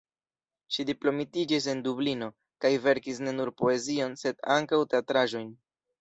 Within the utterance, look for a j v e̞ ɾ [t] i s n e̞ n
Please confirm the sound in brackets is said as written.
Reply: no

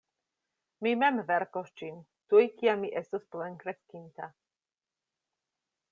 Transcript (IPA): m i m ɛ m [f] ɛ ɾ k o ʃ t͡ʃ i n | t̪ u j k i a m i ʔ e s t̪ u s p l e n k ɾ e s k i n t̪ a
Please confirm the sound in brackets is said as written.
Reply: no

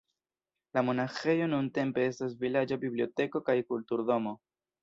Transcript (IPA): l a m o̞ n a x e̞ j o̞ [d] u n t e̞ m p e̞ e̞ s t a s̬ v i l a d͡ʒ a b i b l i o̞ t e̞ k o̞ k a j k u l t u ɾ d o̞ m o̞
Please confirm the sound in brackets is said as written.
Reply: no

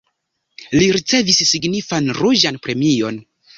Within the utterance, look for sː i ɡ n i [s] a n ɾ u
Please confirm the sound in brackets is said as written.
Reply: no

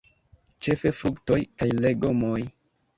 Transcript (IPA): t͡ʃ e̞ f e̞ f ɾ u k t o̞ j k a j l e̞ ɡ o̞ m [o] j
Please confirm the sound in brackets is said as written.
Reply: yes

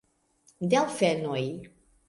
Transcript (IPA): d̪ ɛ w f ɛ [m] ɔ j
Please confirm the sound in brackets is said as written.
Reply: no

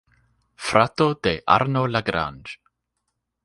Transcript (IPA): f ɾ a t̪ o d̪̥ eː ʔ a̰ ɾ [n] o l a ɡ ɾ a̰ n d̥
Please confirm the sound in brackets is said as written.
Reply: yes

